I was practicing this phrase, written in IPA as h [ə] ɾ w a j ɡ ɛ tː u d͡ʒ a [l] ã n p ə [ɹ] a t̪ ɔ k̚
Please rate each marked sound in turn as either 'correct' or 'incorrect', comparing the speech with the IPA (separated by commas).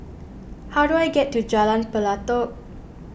incorrect, correct, incorrect